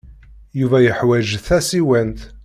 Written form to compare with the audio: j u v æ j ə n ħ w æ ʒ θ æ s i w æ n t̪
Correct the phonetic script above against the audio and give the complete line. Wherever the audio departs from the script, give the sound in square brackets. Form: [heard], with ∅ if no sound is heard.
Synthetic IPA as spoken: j u v æ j ə [∅] ħ w æ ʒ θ æ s i w æ n t̪